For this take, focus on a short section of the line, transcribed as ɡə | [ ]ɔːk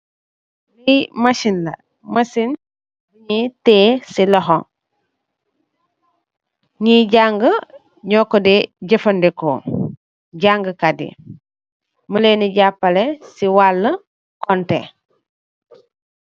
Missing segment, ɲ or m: ɲ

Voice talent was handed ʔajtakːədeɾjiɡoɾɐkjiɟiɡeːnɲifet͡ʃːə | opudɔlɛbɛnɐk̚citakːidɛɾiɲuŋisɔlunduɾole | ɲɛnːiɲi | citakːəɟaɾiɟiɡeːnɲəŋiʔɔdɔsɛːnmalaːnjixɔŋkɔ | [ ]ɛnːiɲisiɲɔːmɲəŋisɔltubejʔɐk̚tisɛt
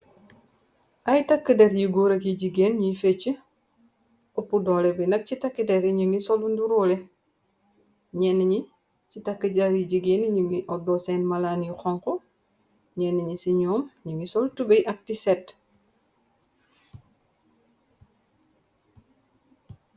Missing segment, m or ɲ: ɲ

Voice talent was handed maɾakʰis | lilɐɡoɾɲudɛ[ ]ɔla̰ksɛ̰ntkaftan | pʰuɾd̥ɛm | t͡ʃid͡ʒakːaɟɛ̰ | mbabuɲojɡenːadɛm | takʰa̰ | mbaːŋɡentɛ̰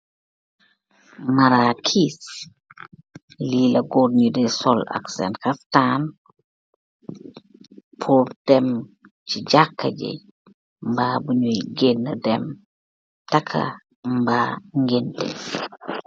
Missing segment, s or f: s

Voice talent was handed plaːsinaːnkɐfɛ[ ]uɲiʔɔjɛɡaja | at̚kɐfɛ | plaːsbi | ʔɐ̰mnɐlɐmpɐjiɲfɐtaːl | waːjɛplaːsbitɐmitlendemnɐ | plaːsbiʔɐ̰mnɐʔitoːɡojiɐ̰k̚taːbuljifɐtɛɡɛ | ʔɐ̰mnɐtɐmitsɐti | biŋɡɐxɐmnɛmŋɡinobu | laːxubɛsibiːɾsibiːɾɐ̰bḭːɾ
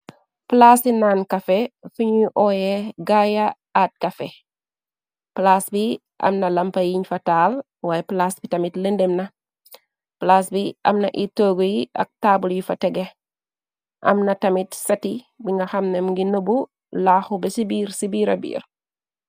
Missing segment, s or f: f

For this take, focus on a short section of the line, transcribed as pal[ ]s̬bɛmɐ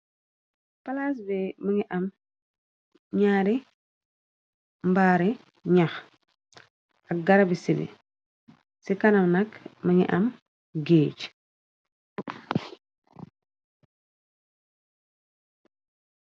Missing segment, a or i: a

